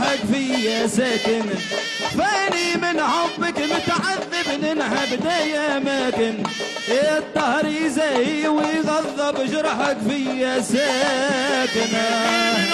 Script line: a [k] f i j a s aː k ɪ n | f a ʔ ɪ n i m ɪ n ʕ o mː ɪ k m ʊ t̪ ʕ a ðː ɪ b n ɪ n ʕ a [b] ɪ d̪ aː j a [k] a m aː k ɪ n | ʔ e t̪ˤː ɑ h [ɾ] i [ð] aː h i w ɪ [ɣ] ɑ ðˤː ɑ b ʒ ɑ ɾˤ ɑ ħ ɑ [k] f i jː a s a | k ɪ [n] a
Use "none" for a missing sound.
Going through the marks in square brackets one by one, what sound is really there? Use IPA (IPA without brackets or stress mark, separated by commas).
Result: k, b, ʔ, ɾ, z, ɣ, k, n